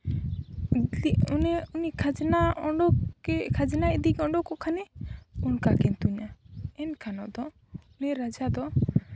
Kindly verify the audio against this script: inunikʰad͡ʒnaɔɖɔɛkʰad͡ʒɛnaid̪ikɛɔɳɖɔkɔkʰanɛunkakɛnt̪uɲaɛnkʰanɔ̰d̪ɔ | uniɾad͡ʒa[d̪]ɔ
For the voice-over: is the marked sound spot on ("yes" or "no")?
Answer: yes